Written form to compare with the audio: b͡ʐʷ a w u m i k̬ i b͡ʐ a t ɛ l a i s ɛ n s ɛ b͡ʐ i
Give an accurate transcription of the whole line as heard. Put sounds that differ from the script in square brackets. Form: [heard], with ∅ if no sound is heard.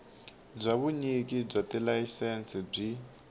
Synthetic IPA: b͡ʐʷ a [β] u [ɲ] i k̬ i b͡ʐ a t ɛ l a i s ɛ n s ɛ b͡ʐ i